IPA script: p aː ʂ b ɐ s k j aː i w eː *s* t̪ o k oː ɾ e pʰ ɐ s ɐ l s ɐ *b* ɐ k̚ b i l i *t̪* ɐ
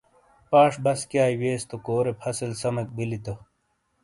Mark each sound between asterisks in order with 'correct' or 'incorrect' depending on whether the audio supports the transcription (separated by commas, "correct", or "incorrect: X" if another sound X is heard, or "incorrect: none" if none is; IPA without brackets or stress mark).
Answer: correct, incorrect: m, correct